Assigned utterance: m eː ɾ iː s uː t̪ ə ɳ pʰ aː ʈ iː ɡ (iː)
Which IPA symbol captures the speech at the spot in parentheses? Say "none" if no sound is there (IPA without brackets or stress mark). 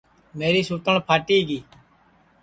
iː